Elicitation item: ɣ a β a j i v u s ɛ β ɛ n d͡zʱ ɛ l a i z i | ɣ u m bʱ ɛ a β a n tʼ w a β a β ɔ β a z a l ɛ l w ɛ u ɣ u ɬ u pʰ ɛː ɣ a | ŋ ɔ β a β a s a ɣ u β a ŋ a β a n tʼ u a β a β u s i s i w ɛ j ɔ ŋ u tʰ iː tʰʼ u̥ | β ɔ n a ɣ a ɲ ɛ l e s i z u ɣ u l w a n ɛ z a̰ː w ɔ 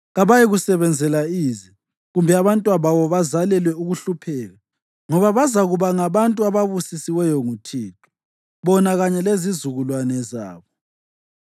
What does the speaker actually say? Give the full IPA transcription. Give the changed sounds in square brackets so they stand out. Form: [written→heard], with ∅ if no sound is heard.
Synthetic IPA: ɣ a β a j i [v→ɣ] u s ɛ β ɛ n d͡zʱ ɛ l a i z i | ɣ u m bʱ ɛ a β a n tʼ w a β a β ɔ β a z a l ɛ l w ɛ u ɣ u ɬ u pʰ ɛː ɣ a | ŋ ɔ β a β a [s→z] a ɣ u β a ŋ a β a n tʼ u a β a β u s i s i w ɛ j ɔ ŋ u tʰ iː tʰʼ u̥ | β ɔ n a ɣ a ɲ ɛ l e [s→z] i z u ɣ u l w a n ɛ z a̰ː [w→β] ɔ